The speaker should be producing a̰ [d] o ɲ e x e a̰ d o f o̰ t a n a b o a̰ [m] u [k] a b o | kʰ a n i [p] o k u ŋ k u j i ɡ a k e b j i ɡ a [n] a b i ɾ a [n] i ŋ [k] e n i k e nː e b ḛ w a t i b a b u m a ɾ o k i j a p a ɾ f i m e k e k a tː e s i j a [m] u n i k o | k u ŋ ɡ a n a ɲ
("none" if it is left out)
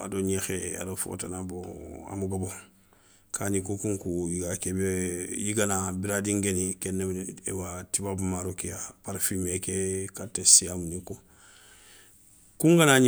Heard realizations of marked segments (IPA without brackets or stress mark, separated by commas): d, m, ɡ, k, n, d, ɡ, m